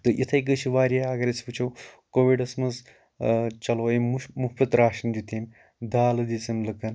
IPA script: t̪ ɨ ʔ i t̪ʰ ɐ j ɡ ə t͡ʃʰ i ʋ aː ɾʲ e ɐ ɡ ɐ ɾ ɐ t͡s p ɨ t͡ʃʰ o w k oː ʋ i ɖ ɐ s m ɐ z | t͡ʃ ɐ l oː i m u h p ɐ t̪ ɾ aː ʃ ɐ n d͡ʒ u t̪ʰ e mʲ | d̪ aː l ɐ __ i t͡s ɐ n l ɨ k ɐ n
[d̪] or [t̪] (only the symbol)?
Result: d̪